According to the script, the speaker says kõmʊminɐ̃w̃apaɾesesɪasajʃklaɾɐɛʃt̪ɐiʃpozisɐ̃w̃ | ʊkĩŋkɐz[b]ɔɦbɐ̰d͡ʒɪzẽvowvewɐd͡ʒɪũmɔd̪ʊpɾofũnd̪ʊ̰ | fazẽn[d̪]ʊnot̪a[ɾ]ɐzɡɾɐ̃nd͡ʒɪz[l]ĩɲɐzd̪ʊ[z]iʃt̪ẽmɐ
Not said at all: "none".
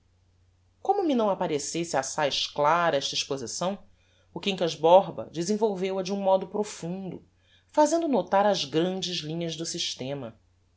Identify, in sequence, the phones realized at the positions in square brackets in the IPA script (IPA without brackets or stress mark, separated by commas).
b, d̪, ɾ, l, s